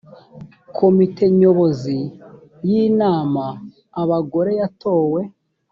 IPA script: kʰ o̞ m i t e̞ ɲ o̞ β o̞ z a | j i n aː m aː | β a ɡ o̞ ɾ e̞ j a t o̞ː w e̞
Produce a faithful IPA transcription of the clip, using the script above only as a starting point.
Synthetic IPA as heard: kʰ o̞ m i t e̞ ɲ o̞ β o̞ z i | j i n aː m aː | β a ɡ o̞ ɾ e̞ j a t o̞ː w e̞